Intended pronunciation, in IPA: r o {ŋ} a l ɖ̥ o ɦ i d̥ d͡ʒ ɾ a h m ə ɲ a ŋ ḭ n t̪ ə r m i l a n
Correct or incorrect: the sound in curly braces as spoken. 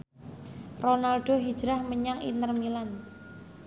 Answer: incorrect: n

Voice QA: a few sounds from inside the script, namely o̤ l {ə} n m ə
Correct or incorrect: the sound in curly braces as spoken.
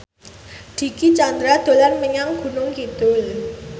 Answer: incorrect: a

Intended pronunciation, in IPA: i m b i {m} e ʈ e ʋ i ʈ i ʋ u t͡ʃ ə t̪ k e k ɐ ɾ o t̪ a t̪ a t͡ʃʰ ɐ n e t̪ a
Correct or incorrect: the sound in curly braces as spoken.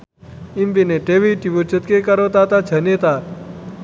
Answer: incorrect: n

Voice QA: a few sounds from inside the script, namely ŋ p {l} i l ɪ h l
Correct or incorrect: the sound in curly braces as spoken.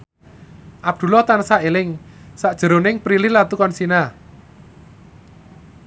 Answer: incorrect: ɾ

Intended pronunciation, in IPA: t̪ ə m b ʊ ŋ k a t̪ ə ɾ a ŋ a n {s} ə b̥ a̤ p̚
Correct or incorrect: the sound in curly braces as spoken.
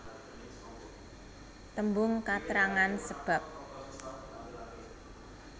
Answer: correct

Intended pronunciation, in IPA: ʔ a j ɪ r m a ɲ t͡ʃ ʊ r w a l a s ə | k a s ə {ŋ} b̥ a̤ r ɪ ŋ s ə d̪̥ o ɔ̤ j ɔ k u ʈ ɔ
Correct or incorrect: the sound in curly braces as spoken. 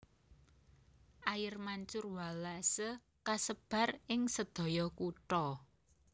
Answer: incorrect: none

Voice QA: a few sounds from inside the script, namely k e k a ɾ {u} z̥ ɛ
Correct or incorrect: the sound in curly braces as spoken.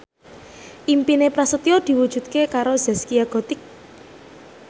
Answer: incorrect: o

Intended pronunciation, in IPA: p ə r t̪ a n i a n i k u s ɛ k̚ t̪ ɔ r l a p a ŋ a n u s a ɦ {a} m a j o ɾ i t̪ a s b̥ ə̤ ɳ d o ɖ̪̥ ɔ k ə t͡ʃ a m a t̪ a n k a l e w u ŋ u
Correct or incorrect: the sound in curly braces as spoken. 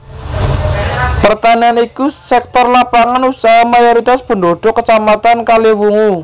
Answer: correct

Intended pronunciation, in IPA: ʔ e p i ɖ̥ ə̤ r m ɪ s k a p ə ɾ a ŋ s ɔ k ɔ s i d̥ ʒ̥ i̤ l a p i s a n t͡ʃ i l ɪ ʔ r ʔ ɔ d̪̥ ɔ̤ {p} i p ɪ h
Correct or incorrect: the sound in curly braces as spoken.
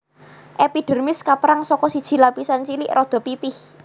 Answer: correct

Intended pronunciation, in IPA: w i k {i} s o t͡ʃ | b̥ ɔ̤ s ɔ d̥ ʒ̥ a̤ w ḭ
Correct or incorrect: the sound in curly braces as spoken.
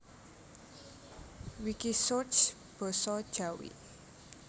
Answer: correct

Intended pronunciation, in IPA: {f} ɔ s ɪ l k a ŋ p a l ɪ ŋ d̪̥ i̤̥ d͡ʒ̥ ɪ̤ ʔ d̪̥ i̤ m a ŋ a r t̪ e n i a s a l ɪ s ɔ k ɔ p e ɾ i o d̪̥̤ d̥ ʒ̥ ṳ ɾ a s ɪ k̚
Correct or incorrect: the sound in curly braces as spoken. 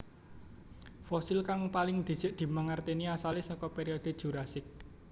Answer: correct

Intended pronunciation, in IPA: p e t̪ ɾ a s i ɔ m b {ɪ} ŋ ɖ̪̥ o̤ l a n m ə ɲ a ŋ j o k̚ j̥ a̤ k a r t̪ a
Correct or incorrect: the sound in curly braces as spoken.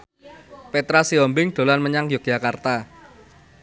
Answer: correct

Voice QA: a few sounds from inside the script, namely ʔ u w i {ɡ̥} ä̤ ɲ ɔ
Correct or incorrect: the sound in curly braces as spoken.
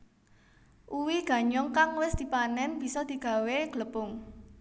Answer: correct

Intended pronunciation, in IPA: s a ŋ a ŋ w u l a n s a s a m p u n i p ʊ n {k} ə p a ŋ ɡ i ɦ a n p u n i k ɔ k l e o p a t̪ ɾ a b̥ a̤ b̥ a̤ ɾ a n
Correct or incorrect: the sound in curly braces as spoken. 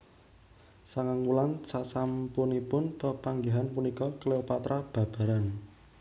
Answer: incorrect: p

